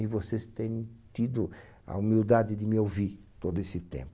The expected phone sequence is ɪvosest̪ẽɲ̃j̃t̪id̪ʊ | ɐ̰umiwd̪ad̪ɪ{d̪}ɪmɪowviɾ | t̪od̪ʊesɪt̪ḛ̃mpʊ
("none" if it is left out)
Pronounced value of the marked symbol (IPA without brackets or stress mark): d̪